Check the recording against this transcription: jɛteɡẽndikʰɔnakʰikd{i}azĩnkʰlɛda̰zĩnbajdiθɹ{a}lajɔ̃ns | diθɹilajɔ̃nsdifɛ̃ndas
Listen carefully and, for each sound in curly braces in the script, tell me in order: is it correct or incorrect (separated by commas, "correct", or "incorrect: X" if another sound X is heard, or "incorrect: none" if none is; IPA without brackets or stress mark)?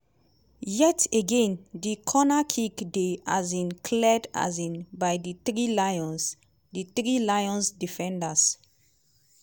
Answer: incorrect: e, incorrect: i